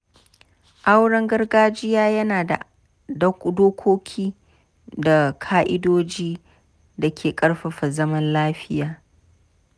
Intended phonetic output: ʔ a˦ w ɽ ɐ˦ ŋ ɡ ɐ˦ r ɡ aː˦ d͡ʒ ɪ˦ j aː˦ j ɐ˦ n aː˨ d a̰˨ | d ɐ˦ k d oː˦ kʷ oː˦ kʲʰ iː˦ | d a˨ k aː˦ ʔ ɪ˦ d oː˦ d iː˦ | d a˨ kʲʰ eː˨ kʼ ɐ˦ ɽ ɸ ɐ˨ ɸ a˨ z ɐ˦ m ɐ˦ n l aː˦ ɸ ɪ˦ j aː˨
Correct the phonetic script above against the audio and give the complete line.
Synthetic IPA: ʔ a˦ w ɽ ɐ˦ ŋ ɡ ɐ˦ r ɡ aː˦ d͡ʒ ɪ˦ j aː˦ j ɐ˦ n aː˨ d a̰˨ | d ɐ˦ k d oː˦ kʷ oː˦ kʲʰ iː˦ | d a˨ kʰ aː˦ ʔ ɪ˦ d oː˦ d͡ʒ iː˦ | d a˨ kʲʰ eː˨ kʼ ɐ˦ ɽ ɸ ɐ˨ ɸ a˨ z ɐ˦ m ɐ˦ n l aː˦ ɸ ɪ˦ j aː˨